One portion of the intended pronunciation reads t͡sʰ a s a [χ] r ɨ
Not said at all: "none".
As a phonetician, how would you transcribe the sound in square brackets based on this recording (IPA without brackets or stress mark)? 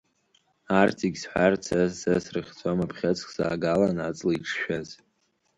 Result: s